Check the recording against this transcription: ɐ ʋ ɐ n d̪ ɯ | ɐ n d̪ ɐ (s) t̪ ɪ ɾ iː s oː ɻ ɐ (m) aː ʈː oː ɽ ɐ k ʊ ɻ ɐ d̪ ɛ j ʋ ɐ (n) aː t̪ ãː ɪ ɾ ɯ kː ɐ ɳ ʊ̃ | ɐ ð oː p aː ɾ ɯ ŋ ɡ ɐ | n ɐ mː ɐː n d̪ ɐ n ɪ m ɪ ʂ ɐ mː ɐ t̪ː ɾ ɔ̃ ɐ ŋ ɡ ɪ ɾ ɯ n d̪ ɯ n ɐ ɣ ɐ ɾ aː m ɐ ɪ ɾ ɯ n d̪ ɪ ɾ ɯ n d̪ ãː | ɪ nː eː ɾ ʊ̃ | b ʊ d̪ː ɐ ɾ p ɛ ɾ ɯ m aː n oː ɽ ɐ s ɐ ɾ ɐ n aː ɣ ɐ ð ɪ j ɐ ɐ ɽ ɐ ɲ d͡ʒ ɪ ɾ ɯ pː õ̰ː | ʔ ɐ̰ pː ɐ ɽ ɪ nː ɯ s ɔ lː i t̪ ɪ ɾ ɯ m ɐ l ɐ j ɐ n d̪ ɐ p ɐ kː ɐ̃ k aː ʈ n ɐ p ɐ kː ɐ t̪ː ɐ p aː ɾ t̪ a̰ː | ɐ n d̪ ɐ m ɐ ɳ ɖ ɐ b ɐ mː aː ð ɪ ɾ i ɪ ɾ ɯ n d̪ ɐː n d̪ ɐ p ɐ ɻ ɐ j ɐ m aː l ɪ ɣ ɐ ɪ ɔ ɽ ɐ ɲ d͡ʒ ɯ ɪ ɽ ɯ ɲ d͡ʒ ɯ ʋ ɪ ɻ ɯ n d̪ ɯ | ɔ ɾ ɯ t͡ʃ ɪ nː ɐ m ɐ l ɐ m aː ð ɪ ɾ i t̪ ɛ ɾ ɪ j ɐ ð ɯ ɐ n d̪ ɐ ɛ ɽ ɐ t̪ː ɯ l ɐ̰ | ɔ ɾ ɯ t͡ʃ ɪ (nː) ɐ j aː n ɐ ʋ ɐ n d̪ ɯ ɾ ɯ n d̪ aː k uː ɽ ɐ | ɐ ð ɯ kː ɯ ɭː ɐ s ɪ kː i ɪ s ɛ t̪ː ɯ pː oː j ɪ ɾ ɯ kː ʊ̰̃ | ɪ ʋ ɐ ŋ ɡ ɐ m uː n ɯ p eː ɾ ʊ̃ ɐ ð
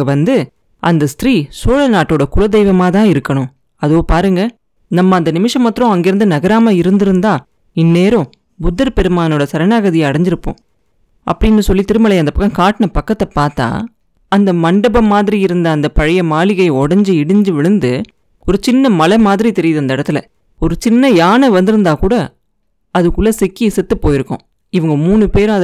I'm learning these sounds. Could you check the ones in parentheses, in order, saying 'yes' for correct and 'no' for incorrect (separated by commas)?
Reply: yes, no, no, yes